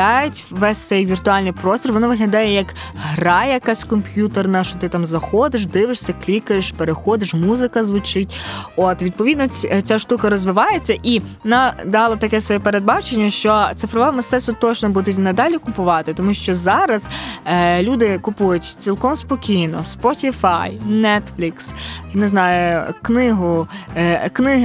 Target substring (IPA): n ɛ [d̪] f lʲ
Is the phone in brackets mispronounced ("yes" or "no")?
yes